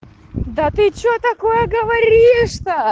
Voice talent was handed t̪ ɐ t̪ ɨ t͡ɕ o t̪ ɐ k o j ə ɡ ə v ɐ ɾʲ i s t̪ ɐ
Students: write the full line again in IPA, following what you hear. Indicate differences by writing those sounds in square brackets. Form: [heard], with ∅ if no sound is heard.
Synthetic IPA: [d̪] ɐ t̪ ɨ t͡ɕ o t̪ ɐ k o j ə ɡ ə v ɐ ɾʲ i [ʂ] t̪ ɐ